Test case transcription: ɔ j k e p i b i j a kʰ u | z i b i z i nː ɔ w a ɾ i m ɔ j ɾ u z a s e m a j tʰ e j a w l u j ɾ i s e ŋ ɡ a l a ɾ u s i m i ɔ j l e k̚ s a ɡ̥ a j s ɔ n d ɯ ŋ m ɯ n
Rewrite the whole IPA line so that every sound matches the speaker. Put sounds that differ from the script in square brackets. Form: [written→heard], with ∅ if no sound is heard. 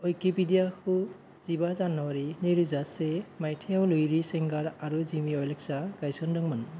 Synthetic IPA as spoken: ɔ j k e p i [b→d] i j a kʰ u | z i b [i→a] z [i→a] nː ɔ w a ɾ i [m→n] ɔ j ɾ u z a s e m a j tʰ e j a w l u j ɾ i s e ŋ ɡ a [l→ɾ] a ɾ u [s→z] i m i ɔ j l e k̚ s a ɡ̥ a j s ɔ n d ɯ ŋ m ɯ n

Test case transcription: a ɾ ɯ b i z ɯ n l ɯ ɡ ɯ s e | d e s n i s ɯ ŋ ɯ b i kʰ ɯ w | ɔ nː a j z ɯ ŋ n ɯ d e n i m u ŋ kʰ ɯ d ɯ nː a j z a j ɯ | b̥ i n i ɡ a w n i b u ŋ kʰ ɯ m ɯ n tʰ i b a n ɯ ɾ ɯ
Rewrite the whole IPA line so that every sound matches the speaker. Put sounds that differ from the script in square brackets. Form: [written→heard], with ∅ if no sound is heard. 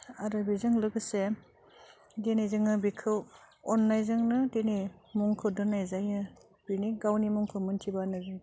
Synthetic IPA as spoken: a ɾ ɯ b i z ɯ [n→ŋ] l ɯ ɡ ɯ s e | d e [s→∅] n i [s→z] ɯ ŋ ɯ b i kʰ ɯ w | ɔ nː a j z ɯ ŋ n ɯ d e n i m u ŋ kʰ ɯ d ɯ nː a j z a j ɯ | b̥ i n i ɡ a w n i [b→m] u ŋ kʰ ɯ m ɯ n tʰ i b a n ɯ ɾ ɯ

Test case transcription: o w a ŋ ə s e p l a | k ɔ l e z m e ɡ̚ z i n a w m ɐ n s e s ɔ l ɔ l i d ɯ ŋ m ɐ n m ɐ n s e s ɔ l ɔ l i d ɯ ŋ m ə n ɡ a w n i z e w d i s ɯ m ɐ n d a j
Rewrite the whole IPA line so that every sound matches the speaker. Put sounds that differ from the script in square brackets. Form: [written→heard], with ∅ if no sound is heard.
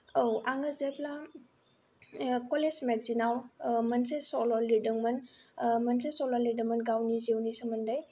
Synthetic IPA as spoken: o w a ŋ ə [s→z] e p l a | k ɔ l e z m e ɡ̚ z i n a w m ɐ n s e s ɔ l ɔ l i d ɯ ŋ m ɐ n m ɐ n s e s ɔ l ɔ l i d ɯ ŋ m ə n ɡ a w n i z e w [d→n] i s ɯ m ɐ n d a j

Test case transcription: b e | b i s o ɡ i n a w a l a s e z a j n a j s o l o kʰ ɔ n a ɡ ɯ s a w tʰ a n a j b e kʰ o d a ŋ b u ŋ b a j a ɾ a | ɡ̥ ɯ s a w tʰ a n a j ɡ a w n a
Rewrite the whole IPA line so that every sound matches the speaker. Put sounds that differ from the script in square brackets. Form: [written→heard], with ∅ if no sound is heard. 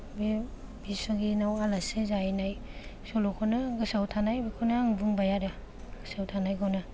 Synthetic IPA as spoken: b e | b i s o ɡ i n a w a l a s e z a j n a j s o l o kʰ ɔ n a ɡ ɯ s a w tʰ a n a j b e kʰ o [d→n] a ŋ b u ŋ b a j a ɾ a | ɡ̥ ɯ s a w tʰ a n a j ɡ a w n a

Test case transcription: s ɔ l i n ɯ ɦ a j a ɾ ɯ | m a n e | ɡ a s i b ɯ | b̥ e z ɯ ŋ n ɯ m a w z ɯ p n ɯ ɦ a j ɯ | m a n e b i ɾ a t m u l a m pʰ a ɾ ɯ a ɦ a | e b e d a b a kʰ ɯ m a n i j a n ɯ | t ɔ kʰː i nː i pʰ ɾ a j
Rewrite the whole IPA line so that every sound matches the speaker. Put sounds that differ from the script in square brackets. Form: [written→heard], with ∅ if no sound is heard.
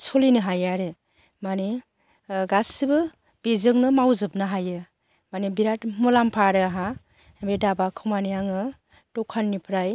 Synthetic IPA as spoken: s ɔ l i n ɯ ɦ a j a ɾ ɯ | m a n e | ɡ a s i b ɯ | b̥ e z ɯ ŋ n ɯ m a w z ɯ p n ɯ ɦ a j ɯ | m a n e b i ɾ a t m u l a m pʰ a ɾ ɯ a ɦ a | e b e d a b a kʰ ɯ m a n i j a [n→ŋ] ɯ | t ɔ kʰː [i→a] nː i pʰ ɾ a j

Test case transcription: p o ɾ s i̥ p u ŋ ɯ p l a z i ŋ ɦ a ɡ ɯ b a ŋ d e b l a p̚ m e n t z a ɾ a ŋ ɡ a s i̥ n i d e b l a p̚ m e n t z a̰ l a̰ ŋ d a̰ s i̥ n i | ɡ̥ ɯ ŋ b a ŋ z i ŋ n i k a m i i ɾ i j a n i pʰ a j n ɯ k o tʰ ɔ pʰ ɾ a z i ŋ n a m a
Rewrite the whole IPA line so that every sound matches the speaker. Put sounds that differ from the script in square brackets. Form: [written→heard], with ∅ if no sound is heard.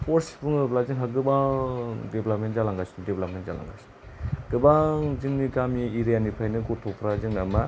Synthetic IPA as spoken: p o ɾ s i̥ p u ŋ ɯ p l a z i ŋ ɦ a ɡ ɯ b a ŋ d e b l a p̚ m e n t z a [ɾ→l] a ŋ ɡ a s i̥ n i d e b l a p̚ m e n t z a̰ l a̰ ŋ [d→ɡ] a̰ s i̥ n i | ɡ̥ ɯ [ŋ→∅] b a ŋ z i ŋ n i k a m i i ɾ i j a n i pʰ a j n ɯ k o tʰ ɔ pʰ ɾ a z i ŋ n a m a

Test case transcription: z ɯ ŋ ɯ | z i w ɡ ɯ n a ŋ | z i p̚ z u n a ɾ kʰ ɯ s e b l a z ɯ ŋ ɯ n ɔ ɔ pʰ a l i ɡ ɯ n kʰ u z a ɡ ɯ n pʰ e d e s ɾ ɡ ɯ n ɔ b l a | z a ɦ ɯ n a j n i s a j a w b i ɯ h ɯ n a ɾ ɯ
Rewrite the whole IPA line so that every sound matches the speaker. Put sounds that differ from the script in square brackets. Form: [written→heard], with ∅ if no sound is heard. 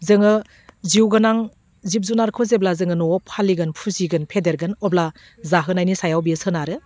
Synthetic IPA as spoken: z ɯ ŋ ɯ | z i w ɡ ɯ n a ŋ | z i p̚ z u n a ɾ kʰ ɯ [s→z] e b l a z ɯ ŋ ɯ n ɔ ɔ pʰ a l i ɡ ɯ n [kʰ→pʰ] u z [a→i] ɡ ɯ n pʰ e d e [s→∅] ɾ ɡ ɯ n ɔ b l a | z a ɦ ɯ n a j n i s a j a w b i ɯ [h→s] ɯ n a ɾ ɯ

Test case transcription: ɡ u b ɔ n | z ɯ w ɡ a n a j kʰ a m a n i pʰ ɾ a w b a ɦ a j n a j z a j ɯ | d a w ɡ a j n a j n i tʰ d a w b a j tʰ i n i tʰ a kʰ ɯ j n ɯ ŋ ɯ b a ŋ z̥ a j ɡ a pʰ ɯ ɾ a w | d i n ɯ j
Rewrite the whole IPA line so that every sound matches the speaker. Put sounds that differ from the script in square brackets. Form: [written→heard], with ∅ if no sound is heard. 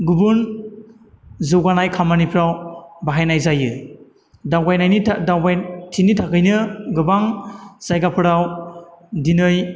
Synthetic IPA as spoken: ɡ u b [ɔ→u] n | z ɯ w ɡ a n a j kʰ a m a n i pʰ ɾ a w b a ɦ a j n a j z a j ɯ | d a w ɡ a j n a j n i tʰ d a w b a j tʰ i n i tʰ a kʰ ɯ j n ɯ [ŋ→ɡ] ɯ b a ŋ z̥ a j ɡ a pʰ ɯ ɾ a w | d i n ɯ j

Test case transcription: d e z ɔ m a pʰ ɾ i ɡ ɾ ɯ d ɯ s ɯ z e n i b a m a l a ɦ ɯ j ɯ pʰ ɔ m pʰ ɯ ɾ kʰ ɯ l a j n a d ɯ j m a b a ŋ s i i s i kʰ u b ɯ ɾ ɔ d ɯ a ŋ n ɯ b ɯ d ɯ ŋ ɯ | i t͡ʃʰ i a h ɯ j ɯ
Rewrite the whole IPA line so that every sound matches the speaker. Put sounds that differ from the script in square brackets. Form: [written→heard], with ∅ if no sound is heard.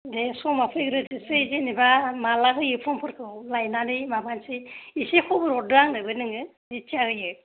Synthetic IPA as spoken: d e [z→s] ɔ m a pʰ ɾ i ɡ ɾ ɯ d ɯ s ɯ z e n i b a m a l a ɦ ɯ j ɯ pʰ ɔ m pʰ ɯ ɾ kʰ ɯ l a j n a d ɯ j m a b a [ŋ→n] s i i s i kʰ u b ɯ ɾ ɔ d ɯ a ŋ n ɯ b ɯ [d→n] ɯ ŋ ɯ | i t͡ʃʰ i a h ɯ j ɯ

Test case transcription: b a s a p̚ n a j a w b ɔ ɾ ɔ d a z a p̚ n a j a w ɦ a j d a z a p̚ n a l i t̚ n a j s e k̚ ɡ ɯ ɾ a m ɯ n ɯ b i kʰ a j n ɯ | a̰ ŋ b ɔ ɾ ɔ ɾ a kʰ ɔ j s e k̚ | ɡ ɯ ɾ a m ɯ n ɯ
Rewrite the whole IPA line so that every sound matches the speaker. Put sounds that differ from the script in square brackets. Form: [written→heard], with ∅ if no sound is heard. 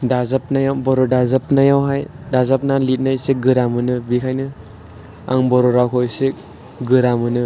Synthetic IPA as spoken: [b→d] a [s→z] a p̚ n a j a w b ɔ ɾ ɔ d a z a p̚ n a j a w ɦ a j d a z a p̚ n a l i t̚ n a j s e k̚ ɡ ɯ ɾ a m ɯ n ɯ b i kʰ a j n ɯ | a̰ ŋ b ɔ ɾ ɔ ɾ a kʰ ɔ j s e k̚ | ɡ ɯ ɾ a m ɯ n ɯ

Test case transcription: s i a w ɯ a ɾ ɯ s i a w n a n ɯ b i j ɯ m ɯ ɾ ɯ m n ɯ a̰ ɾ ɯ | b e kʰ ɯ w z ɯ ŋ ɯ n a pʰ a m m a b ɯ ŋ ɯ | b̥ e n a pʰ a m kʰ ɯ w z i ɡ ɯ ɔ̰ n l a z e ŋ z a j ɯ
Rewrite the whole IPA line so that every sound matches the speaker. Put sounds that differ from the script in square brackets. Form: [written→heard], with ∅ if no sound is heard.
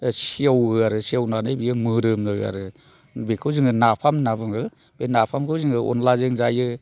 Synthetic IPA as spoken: s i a w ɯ a ɾ ɯ s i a w n a n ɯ b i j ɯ m ɯ ɾ ɯ m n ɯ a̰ ɾ ɯ | b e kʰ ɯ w z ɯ ŋ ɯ n a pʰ a m [m→n] a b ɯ ŋ ɯ | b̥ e n a pʰ a m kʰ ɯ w z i [ɡ→ŋ] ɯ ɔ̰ n l a z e ŋ z a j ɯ

